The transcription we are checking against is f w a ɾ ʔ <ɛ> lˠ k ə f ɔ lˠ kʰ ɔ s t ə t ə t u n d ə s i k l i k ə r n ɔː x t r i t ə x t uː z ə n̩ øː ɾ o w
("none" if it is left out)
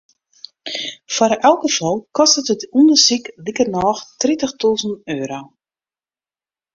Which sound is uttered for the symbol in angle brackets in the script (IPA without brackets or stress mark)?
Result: ɛ